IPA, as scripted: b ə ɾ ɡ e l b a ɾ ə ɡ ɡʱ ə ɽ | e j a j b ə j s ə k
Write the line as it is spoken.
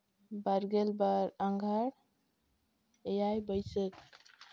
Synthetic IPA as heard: b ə ɾ ɡ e l b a ɾ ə ŋ ɡʱ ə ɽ | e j a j b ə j s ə k